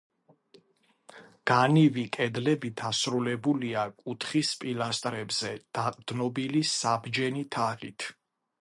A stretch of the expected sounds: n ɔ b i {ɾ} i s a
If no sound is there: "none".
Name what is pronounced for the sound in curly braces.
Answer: l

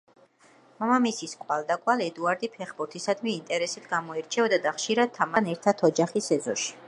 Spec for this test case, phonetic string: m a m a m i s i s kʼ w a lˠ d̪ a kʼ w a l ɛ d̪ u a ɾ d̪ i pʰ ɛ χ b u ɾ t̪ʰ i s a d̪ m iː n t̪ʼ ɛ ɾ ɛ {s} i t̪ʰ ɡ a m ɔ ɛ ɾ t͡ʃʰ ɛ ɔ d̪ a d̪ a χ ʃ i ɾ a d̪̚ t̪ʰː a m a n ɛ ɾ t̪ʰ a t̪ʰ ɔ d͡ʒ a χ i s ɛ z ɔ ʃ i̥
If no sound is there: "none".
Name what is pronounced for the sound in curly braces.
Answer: s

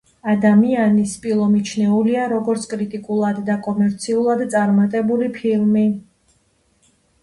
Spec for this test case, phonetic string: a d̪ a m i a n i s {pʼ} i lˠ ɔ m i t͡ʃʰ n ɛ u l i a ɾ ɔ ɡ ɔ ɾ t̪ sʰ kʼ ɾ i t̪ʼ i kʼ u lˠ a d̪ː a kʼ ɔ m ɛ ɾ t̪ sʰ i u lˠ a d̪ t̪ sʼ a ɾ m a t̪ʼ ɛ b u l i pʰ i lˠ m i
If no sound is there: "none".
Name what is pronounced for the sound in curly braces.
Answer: pʼ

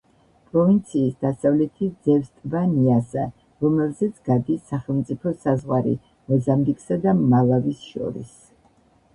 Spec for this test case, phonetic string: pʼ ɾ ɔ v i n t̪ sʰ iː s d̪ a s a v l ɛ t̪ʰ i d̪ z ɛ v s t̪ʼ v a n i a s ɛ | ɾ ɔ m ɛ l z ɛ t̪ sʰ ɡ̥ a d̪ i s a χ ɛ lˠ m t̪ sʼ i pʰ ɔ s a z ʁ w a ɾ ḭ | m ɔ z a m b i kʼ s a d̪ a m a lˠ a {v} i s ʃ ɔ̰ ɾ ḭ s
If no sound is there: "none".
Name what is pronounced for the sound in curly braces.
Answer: v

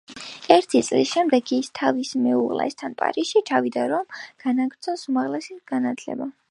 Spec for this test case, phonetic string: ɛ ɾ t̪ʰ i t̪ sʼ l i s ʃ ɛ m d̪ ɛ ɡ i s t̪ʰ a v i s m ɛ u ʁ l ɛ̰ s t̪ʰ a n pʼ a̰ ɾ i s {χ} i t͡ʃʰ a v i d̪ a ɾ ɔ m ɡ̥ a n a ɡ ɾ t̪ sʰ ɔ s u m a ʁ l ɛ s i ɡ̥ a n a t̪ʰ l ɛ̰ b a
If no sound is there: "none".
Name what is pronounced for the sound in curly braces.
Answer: ʃ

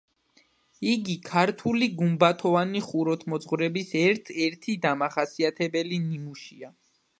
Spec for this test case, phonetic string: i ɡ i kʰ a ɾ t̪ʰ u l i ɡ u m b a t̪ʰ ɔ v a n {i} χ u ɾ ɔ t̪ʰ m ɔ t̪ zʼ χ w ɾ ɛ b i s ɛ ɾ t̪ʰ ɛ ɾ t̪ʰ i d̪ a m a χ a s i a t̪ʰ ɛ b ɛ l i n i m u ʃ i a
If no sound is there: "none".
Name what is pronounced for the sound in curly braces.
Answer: i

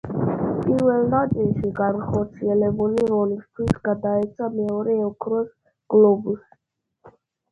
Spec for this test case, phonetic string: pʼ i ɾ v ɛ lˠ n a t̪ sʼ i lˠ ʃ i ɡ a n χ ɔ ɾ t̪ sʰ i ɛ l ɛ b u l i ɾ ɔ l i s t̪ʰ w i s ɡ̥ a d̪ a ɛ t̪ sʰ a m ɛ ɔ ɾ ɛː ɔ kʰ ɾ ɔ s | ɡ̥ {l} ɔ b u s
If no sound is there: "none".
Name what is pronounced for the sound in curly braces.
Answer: l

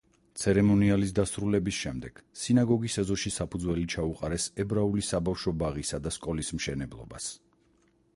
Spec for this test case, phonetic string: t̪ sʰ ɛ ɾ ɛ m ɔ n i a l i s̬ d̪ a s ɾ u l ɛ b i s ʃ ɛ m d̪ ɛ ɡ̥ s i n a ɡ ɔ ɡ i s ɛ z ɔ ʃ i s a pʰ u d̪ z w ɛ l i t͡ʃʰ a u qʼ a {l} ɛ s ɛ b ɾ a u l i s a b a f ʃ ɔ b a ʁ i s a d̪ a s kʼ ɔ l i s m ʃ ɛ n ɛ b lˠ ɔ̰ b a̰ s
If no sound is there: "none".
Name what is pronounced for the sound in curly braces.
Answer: ɾ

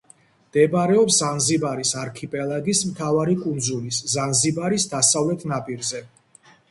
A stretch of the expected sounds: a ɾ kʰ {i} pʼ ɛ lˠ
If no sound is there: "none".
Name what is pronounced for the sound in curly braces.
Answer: i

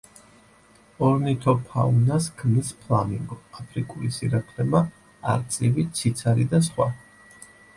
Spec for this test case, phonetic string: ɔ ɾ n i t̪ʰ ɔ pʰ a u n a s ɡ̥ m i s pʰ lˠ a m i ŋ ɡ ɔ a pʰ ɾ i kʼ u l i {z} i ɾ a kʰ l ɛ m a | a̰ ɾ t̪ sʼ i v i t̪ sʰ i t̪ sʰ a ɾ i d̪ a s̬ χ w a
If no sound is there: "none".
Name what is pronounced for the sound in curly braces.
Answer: s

